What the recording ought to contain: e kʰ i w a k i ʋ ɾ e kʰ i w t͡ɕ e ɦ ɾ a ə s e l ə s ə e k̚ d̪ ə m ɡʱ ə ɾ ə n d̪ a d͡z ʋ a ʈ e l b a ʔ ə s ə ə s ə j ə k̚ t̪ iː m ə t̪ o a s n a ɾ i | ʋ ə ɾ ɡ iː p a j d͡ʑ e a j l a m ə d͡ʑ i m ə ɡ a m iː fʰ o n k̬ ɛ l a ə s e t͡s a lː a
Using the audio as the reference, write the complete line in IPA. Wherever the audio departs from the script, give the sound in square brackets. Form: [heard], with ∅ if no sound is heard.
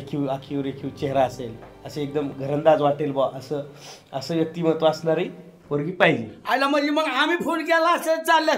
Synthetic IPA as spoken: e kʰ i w a [kʰ] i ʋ ɾ e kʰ i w t͡ɕ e ɦ ɾ a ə s e l ə s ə e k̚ d̪ ə m ɡʱ ə ɾ ə n d̪ a d͡z ʋ a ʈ e l b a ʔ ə s ə ə s ə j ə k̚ t̪ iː m ə t̪ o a s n a ɾ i | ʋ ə ɾ ɡ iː p a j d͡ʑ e a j l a m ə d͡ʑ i m ə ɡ a m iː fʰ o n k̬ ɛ l a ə s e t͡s a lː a